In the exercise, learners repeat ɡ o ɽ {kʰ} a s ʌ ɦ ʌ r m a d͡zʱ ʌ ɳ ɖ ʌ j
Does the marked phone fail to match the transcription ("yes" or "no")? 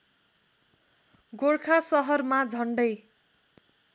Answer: no